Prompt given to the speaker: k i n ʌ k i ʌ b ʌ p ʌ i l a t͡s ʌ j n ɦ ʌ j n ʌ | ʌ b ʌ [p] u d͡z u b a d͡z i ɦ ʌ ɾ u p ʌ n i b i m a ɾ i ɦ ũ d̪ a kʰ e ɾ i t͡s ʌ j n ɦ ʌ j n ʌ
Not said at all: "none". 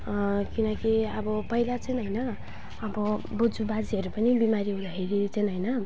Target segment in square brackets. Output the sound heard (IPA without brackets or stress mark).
b